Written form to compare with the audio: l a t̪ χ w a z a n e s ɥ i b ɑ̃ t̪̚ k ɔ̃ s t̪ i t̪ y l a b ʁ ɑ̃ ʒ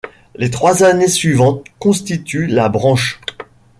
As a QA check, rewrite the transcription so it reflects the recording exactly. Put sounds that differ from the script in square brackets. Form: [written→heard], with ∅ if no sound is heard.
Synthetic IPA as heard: l [a→e] t̪ χ w a z a n e s ɥ i [b→v] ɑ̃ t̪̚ k ɔ̃ s t̪ i t̪ y l a b ʁ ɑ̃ [ʒ→ʃ]